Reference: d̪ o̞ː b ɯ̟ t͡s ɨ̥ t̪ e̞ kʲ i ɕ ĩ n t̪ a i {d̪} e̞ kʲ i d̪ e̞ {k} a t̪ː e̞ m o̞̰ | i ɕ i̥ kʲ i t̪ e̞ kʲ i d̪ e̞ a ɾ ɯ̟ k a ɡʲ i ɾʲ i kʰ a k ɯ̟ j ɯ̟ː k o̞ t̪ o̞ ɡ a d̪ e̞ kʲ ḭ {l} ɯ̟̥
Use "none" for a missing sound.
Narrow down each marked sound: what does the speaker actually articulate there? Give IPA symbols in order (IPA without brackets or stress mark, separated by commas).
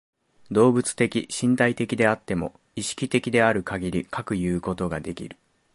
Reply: t̪, none, ɾ